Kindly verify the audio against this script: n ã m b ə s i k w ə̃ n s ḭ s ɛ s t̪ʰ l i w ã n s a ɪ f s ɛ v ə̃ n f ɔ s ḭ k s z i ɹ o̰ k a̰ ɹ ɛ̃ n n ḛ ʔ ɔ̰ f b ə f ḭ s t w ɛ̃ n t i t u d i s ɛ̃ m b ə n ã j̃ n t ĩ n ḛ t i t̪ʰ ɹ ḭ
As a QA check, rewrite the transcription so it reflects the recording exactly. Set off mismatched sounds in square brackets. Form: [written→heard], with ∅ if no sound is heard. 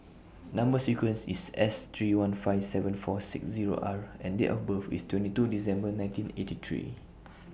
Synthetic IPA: n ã m b ə s i k w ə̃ n s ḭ s ɛ s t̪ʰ [l→ɹ] i w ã n [s→f] a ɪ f s ɛ v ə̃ n f ɔ s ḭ k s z i ɹ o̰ [k→ʔ] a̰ ɹ ɛ̃ n [n→d] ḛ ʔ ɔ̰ f b ə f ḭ s t w ɛ̃ n t i t u d i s ɛ̃ m b ə n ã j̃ n t ĩ n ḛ t i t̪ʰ ɹ ḭ